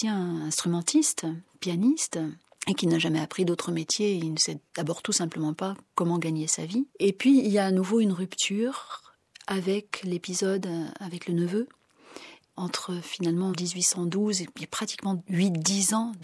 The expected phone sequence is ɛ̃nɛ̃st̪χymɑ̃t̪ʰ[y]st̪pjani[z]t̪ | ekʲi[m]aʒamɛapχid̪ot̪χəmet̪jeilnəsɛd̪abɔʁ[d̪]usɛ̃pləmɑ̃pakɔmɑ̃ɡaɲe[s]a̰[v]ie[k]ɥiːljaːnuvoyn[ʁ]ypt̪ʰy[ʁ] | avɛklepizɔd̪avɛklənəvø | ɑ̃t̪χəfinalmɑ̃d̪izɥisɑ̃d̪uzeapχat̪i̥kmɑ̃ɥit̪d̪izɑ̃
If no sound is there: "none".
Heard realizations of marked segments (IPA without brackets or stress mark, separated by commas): i, s, n, t̪, s, v, p, ʁ, ʁ